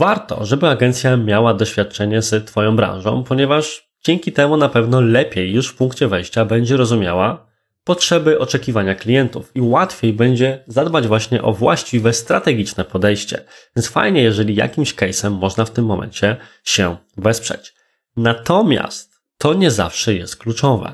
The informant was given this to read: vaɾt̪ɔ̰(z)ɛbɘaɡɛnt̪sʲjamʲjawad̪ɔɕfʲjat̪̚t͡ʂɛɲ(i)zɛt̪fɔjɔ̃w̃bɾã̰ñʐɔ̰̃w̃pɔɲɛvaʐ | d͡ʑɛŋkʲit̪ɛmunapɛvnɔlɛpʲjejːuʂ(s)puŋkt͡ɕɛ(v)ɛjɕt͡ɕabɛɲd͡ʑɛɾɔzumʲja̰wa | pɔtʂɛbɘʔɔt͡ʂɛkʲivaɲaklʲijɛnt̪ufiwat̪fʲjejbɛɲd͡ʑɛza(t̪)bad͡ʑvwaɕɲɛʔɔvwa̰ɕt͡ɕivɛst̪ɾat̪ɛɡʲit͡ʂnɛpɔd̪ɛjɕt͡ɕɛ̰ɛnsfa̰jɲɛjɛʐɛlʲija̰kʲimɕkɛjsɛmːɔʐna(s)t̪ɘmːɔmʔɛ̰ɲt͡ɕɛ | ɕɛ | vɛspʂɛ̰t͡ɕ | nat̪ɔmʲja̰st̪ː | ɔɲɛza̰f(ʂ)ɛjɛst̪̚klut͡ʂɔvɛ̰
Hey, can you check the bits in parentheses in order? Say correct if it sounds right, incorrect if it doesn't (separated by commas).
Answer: incorrect, incorrect, incorrect, correct, incorrect, incorrect, correct